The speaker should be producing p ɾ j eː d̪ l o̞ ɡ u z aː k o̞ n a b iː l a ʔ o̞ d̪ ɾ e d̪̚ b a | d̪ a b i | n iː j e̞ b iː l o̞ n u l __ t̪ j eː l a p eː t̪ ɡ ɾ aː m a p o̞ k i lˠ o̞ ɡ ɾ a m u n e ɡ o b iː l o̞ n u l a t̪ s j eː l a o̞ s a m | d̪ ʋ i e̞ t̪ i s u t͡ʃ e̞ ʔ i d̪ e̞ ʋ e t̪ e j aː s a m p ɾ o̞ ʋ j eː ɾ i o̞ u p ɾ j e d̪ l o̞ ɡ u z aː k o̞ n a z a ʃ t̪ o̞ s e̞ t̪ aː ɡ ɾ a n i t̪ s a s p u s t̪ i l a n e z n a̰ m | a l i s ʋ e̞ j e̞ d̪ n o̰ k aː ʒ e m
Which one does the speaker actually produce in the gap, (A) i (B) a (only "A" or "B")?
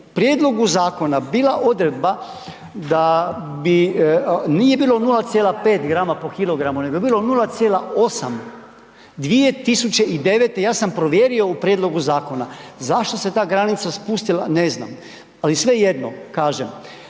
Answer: B